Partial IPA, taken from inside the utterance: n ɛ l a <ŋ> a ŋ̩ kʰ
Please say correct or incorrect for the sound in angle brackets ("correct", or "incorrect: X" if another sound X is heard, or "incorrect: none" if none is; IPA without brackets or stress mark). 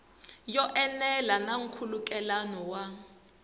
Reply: incorrect: n